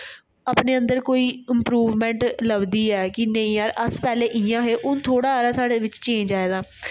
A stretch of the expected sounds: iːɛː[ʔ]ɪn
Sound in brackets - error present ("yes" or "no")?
yes